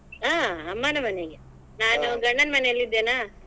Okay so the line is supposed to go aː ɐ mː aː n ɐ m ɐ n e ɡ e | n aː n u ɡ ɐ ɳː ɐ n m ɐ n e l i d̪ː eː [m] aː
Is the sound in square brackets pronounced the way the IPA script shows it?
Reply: no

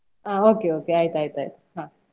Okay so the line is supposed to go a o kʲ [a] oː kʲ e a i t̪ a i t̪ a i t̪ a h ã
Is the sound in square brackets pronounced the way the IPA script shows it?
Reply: no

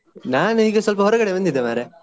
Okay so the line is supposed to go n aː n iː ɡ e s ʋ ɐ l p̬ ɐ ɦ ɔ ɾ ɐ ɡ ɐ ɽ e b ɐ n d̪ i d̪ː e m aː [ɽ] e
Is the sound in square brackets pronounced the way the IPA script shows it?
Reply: no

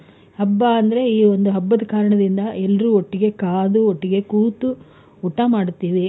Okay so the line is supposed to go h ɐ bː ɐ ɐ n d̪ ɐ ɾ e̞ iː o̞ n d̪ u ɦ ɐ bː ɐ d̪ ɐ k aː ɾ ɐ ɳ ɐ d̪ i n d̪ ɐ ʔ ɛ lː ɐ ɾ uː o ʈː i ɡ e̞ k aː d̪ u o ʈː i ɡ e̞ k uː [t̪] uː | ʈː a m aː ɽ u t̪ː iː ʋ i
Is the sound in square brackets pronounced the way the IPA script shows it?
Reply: yes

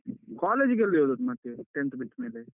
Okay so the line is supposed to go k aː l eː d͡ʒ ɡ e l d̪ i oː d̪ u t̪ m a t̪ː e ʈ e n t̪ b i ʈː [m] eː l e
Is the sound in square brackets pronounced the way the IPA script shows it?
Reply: yes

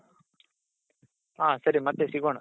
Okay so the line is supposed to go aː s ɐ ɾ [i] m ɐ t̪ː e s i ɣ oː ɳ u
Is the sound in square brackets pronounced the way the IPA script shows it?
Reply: yes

